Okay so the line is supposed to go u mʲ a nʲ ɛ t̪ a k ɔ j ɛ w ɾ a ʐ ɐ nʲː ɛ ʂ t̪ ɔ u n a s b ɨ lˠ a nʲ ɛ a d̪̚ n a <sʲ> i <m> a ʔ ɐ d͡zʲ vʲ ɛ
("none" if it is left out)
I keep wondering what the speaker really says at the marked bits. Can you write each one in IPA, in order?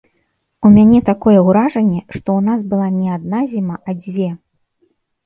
zʲ, m

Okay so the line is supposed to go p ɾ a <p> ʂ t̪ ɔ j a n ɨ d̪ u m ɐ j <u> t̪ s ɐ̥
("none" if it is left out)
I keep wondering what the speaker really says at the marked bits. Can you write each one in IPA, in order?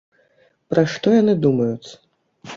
none, u

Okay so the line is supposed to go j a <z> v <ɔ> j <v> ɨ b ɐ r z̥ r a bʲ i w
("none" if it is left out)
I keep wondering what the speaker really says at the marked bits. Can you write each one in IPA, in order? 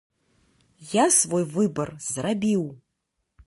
s, o, v

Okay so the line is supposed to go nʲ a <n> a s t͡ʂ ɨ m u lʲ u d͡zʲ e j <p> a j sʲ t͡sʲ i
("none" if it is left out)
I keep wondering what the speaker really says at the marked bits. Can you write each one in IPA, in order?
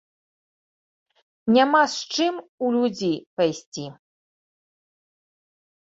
m, p

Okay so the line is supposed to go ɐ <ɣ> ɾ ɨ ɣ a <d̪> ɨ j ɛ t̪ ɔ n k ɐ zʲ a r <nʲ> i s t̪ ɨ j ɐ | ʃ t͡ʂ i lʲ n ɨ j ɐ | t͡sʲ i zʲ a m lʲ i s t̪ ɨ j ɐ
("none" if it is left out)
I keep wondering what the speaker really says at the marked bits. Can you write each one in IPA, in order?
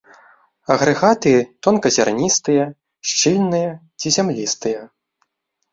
ɣ, t̪, nʲ

